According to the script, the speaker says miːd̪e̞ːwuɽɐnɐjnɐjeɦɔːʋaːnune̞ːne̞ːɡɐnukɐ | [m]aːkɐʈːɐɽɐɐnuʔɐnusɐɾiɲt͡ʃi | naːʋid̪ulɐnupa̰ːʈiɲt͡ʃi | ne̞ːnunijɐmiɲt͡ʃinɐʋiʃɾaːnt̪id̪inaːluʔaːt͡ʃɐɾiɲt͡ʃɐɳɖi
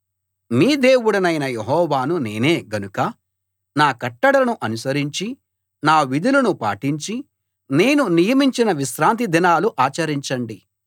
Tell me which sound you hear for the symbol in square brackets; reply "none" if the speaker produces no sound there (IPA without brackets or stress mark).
n